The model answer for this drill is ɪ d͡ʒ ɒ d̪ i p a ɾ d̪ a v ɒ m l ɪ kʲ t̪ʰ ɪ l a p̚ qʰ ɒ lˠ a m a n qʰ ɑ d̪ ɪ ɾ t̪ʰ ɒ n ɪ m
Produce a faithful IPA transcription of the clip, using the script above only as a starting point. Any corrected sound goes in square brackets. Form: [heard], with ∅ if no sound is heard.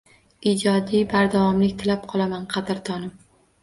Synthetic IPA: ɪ d͡ʒ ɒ d̪ i [b] a ɾ d̪ a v ɒ m l ɪ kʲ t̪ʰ ɪ l a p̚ qʰ ɒ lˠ a m a n qʰ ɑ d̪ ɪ ɾ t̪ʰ ɒ n ɪ m